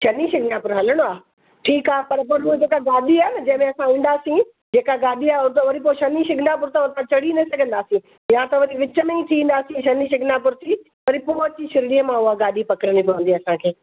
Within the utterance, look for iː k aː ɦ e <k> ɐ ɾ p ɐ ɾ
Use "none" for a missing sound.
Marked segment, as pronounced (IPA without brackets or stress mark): p